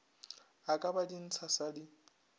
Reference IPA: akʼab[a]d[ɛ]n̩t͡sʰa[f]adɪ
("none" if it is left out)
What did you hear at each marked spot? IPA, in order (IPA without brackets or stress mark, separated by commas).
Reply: a, i, s